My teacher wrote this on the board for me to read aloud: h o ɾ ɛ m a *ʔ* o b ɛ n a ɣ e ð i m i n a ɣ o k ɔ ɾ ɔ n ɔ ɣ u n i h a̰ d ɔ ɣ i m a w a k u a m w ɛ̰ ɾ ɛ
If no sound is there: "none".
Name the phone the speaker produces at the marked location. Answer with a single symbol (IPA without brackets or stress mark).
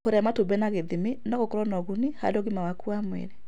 t